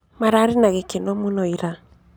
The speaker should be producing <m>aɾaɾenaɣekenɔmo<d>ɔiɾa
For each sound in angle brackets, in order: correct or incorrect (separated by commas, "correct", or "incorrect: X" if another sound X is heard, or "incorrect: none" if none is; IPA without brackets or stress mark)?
correct, incorrect: n